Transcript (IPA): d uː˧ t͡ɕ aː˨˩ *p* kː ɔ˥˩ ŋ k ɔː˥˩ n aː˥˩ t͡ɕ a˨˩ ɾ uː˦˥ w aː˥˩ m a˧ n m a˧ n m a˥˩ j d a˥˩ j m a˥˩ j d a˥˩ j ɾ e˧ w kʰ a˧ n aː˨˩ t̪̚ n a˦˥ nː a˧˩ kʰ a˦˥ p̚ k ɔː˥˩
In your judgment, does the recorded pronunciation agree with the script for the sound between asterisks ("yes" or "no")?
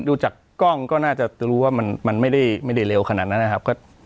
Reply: no